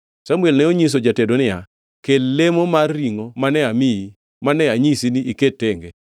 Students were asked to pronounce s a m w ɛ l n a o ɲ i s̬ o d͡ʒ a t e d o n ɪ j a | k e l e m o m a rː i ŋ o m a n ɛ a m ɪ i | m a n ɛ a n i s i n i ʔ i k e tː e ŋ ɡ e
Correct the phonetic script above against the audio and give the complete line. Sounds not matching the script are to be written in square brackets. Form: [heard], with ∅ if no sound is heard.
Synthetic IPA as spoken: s a m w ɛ l n [ɛ] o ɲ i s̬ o d͡ʒ a t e d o n ɪ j a | k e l e m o m a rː i ŋ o m a n ɛ a m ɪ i | m a n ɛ a [ɲ] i s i n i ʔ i k e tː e ŋ ɡ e